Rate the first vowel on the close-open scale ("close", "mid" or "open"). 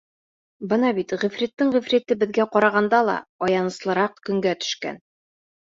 mid